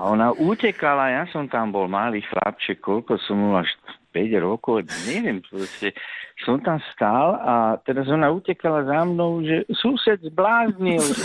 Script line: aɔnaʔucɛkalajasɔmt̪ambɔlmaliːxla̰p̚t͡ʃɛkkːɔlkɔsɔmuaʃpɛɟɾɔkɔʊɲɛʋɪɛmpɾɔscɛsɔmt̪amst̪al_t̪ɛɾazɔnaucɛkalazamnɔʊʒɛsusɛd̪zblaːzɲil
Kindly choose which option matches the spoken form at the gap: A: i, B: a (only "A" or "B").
B